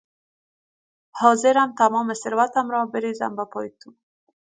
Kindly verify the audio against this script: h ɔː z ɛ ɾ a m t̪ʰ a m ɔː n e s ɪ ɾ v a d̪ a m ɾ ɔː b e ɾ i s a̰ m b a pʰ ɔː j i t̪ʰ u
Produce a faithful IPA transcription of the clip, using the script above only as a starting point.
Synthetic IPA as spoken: h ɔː z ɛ ɾ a m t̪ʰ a m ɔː m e s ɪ ɾ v a t̪ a m ɾ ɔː b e ɾ i z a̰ m b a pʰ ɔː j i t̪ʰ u

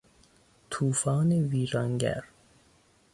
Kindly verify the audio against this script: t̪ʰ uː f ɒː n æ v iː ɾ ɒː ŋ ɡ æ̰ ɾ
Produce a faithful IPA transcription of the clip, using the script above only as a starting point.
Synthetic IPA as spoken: t̪ʰ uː f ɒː n e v iː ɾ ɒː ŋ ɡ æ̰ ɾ

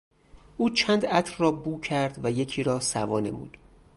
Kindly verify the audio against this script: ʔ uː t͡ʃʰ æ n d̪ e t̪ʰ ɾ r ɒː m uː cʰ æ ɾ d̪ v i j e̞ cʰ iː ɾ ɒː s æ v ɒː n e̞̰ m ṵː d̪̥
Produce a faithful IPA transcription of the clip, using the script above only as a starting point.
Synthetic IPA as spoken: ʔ uː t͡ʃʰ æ n d̪ æ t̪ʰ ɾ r ɒː b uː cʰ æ ɾ d̪ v æ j e̞ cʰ iː ɾ ɒː s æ v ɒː n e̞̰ m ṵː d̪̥

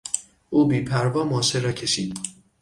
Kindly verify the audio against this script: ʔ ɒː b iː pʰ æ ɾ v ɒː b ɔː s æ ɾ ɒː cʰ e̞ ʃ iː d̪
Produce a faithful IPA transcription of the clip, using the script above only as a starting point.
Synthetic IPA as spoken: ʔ uː b iː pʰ æ ɾ v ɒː m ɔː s e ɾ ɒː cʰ e̞ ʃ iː d̪

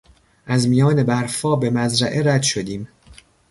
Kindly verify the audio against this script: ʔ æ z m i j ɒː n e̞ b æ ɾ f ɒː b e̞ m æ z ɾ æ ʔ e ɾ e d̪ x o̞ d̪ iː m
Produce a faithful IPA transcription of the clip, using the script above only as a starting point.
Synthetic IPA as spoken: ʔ æ z m i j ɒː n e̞ b æ ɾ f ɒː b e̞ m æ z ɾ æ ʔ e ɾ æ d̪ ʃ o̞ d̪ iː m

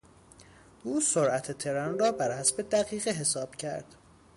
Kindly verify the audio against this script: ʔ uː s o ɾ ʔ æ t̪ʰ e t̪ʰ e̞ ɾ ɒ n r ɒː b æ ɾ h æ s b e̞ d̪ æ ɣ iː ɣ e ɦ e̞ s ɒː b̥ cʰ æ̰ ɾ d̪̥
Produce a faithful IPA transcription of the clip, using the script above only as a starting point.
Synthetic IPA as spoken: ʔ uː s o ɾ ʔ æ t̪ʰ e t̪ʰ e̞ ɾ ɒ n r ɒː b æ ɾ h æ s b e̞ d̪ æ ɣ iː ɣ e ɦ e̞ s ɒː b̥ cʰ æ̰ ɾ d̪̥

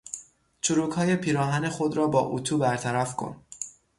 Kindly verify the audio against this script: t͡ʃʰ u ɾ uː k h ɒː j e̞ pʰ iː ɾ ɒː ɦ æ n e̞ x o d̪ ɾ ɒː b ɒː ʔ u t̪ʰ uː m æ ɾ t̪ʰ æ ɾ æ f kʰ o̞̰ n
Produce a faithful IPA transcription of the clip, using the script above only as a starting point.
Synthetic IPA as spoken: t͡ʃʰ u ɾ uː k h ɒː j e̞ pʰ iː ɾ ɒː ɦ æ n e̞ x o d̪ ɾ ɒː b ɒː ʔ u t̪ʰ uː b æ ɾ t̪ʰ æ ɾ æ f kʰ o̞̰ n

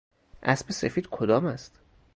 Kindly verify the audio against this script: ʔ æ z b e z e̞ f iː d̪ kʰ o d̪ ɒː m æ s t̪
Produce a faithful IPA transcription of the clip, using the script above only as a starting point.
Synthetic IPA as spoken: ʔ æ s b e s e̞ f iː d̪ kʰ o d̪ ɒː m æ s t̪

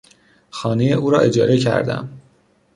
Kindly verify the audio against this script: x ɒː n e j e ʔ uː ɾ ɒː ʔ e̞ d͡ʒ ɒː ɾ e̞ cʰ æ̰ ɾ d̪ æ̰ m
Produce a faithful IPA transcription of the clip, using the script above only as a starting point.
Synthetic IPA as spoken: x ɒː n e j e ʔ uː ɾ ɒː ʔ e̞ d͡ʒ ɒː ɾ e̞ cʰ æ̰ ɾ d̪ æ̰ m

